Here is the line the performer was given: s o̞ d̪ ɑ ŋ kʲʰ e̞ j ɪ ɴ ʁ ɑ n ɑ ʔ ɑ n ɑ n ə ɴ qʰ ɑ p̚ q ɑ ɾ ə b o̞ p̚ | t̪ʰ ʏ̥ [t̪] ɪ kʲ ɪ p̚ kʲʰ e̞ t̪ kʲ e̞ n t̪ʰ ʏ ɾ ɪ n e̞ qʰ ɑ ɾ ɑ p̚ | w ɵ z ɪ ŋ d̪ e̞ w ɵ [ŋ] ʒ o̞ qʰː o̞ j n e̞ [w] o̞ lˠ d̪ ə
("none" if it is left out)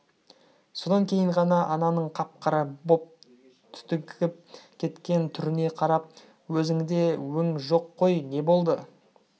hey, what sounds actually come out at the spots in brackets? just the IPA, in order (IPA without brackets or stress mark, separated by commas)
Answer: t̪, ŋ, b